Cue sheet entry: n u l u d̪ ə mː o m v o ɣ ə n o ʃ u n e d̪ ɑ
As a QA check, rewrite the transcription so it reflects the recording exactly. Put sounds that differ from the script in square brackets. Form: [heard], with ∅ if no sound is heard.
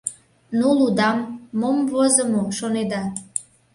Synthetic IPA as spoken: n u l u d̪ [ɑ] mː o m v o [z] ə [m] o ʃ [o] n e d̪ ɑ